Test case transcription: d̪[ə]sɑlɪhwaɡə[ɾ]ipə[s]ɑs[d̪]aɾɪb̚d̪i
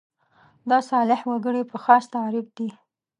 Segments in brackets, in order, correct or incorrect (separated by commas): incorrect, incorrect, incorrect, incorrect